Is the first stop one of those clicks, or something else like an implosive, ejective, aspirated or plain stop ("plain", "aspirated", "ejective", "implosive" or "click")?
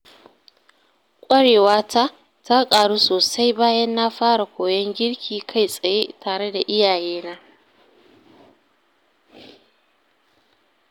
ejective